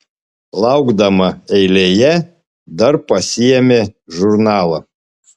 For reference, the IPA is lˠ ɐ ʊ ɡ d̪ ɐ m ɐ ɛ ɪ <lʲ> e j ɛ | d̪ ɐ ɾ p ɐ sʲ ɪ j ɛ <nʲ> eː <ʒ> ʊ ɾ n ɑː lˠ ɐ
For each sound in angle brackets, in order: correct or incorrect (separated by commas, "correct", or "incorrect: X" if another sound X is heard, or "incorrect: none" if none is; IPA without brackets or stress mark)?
correct, incorrect: mʲ, correct